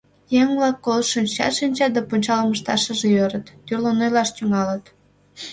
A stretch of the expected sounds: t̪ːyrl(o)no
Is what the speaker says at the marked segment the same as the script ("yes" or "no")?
yes